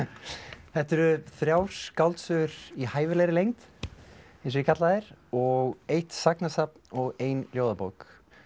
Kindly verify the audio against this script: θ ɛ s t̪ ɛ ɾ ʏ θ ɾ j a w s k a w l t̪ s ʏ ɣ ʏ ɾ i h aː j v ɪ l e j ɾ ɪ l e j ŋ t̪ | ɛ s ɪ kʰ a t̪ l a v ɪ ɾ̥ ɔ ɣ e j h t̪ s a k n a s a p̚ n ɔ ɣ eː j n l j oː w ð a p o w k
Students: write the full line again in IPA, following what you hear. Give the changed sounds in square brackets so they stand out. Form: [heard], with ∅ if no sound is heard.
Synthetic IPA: θ ɛ [h] t̪ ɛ ɾ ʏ θ ɾ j a w s k a w l t̪ s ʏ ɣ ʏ ɾ i h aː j v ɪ l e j ɾ ɪ l e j ŋ t̪ | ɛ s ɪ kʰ a t̪ l a [ð] ɪ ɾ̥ ɔ ɣ e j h t̪ s a k n a s a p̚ n ɔ ɣ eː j n l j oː w ð a p o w k